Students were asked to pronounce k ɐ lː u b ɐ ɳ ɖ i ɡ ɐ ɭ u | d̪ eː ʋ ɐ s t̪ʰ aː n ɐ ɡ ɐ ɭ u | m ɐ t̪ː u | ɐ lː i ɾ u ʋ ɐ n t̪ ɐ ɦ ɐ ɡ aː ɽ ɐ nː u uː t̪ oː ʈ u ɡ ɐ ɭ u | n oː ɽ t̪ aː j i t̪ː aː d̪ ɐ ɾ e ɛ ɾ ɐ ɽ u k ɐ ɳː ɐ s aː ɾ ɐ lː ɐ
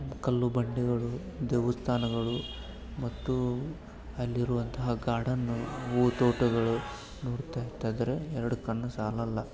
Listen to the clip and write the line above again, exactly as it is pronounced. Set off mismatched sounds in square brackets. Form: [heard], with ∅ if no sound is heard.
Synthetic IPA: k ɐ lː u b ɐ ɳ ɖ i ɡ ɐ ɭ u | d̪ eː ʋ ɐ s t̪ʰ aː n ɐ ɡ ɐ ɭ u | m ɐ t̪ː u | ɐ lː i ɾ u ʋ ɐ n t̪ ɐ ɦ ɐ ɡ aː ɽ ɐ nː u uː t̪ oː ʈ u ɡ ɐ ɭ u | n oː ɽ t̪ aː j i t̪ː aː d̪ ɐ ɾ e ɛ ɾ ɐ ɽ u k ɐ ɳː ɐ s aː [l] ɐ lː ɐ